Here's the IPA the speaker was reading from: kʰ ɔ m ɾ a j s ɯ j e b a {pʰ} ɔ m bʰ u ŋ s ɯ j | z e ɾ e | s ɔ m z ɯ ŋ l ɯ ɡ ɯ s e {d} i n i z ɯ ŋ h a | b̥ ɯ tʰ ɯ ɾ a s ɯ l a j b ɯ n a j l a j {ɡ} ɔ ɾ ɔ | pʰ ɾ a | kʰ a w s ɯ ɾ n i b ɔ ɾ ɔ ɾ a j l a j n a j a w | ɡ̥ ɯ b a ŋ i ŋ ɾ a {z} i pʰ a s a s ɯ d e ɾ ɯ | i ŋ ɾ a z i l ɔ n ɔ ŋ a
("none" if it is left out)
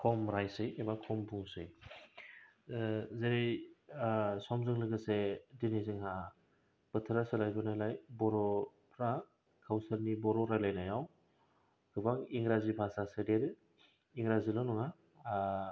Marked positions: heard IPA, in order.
kʰ, d, b, z

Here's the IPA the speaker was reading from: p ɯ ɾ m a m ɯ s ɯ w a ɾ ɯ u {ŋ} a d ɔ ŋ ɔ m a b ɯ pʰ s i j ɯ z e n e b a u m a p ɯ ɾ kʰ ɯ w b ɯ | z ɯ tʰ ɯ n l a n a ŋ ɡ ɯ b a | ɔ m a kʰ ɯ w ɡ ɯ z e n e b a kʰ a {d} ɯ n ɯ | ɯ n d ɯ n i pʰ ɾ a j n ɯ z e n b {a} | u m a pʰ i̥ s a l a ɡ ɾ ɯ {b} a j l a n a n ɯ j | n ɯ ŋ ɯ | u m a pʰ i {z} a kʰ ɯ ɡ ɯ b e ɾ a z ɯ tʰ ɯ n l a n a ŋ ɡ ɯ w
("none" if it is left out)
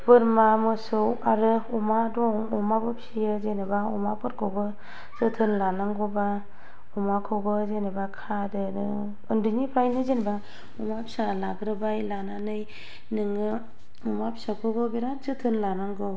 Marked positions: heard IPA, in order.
m, d, a, b, s

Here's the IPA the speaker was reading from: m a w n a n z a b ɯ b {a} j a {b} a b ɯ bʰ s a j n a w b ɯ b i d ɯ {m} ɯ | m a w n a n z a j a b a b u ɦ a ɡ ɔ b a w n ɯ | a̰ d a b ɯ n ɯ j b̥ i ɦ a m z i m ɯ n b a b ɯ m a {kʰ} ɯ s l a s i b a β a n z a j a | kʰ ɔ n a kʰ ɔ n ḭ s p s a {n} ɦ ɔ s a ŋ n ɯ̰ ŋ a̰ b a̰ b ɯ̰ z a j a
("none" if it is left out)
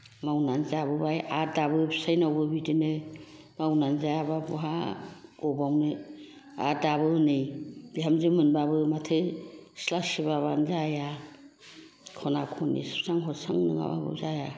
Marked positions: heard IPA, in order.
a, d, n, tʰ, ŋ

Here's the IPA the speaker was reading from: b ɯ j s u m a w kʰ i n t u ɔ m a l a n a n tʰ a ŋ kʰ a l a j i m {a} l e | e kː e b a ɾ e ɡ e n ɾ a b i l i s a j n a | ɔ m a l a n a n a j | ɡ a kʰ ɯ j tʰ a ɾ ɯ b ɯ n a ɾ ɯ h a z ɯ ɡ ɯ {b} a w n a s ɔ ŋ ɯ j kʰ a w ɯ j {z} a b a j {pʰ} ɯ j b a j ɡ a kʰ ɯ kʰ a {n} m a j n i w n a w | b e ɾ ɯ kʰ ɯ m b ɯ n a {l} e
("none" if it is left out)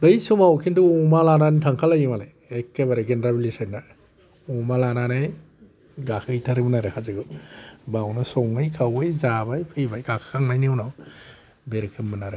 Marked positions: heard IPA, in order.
a, b, z, pʰ, ŋ, ɾ

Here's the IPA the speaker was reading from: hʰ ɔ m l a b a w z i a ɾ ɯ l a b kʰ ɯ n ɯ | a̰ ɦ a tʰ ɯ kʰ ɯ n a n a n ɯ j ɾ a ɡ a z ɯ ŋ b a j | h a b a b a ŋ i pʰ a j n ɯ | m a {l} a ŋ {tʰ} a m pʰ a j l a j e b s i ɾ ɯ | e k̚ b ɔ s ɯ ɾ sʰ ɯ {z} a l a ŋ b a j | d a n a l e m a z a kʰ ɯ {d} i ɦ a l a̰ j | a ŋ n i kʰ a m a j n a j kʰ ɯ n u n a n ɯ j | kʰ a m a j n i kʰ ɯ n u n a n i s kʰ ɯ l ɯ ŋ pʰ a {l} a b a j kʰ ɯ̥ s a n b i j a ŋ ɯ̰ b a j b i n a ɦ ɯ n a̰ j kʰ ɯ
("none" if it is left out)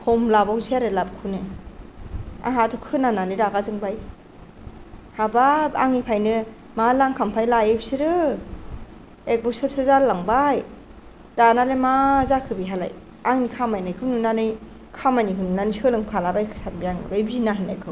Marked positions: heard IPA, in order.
l, kʰ, z, b, l

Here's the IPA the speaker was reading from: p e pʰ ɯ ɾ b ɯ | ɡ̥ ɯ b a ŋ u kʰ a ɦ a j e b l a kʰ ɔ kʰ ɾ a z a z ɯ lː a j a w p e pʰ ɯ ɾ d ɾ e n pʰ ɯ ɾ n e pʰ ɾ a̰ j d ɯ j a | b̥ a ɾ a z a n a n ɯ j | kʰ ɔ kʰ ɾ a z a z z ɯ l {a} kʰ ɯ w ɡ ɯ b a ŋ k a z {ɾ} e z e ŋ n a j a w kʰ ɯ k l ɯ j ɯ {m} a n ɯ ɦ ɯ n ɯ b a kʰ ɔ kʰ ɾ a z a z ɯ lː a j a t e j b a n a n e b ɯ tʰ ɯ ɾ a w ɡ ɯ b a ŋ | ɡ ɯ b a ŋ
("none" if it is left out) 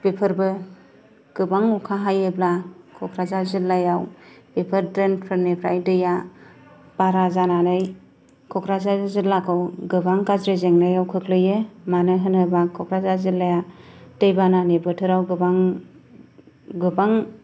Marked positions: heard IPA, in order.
a, ɾ, m

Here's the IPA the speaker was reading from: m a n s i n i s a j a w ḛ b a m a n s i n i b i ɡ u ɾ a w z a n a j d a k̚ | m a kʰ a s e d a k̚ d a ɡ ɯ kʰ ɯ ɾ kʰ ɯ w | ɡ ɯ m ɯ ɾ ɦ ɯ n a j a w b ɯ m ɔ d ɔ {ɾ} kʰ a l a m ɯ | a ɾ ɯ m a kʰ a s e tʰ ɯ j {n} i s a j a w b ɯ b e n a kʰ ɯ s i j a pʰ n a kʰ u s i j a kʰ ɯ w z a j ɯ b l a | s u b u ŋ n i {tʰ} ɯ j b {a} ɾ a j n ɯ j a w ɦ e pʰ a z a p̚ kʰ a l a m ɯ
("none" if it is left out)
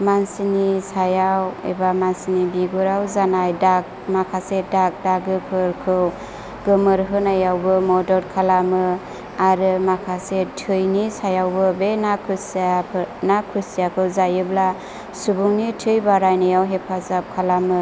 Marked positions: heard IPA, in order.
ɾ, n, tʰ, a

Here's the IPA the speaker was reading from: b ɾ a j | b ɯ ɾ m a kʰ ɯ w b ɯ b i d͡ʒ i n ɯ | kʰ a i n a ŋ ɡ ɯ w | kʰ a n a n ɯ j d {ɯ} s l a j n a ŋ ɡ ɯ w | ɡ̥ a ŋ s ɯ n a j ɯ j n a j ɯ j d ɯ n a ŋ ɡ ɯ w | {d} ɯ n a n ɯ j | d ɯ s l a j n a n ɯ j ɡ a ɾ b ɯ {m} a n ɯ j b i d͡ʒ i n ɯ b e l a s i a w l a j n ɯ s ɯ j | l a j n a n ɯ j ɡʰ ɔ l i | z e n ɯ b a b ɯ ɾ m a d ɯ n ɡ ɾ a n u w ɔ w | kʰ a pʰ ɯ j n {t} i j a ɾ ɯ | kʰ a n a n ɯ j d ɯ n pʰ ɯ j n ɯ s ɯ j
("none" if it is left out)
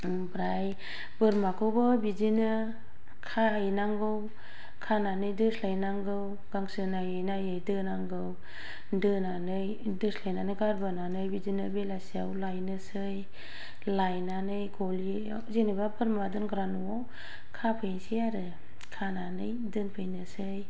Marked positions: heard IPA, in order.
ɯ, d, n, s

